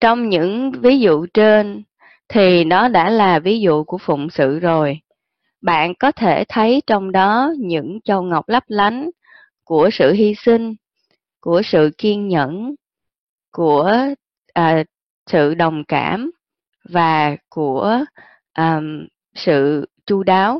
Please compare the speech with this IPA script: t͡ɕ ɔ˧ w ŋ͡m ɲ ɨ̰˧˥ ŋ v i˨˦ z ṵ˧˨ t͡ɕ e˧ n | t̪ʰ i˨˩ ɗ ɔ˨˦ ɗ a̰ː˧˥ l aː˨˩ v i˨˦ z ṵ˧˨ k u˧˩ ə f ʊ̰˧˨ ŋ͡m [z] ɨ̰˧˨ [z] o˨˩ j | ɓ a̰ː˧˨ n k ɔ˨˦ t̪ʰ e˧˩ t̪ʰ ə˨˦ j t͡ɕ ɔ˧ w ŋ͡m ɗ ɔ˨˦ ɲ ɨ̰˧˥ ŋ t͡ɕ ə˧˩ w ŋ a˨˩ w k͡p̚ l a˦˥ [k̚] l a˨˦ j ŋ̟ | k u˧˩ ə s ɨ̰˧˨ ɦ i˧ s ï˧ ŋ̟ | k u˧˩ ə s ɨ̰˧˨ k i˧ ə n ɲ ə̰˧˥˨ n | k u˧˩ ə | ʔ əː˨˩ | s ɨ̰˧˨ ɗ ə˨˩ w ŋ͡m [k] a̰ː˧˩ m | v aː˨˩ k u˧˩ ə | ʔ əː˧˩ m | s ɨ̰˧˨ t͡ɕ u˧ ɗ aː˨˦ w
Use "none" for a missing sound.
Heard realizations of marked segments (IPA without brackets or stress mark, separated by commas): s, z, p̚, k